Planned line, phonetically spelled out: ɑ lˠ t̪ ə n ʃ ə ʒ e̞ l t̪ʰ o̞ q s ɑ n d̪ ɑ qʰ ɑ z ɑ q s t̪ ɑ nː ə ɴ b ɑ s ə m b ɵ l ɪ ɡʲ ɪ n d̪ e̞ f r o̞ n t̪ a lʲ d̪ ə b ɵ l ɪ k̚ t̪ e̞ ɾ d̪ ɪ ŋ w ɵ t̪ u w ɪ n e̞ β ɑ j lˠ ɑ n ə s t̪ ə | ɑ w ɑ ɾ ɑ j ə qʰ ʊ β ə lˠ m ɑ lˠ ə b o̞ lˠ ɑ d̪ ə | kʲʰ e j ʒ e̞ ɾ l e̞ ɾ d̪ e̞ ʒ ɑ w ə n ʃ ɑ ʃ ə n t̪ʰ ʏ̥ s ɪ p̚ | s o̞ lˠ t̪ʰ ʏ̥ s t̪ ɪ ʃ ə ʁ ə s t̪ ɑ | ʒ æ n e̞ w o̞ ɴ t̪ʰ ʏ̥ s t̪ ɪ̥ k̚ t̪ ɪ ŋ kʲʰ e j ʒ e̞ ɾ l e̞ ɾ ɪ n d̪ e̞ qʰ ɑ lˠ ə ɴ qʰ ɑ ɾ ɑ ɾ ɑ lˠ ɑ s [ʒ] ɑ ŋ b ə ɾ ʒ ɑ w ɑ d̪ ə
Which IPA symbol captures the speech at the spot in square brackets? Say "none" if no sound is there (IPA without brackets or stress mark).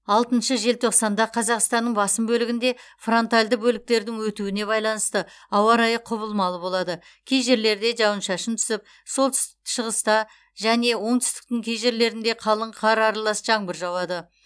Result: ʒ